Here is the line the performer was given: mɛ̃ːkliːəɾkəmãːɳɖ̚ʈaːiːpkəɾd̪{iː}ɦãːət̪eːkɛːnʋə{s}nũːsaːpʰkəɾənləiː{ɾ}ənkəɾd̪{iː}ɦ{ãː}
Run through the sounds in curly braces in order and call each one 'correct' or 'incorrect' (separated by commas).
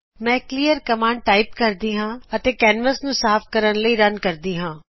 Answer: correct, correct, correct, correct, correct